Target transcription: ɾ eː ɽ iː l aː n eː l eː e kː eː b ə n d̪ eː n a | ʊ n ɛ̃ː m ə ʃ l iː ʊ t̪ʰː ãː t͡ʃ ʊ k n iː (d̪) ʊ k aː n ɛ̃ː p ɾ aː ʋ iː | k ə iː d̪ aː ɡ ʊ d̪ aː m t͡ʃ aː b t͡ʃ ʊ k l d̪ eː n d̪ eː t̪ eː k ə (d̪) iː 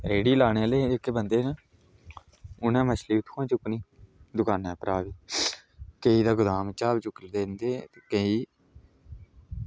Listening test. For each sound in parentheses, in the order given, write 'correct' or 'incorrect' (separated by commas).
correct, incorrect